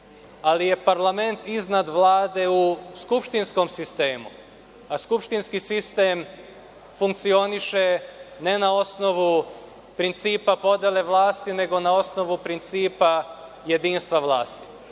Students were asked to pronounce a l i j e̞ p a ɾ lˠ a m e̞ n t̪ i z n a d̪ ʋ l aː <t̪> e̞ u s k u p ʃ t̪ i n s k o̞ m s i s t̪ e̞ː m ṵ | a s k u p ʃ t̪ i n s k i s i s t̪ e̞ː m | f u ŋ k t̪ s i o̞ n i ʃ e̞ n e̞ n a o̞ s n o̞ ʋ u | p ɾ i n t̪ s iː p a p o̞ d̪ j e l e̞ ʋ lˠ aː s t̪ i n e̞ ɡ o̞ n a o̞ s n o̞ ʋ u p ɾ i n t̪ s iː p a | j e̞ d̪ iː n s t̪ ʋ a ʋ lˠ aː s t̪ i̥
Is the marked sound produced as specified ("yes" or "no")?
no